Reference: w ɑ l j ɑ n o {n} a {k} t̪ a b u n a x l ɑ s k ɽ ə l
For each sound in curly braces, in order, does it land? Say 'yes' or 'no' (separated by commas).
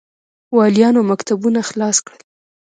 no, yes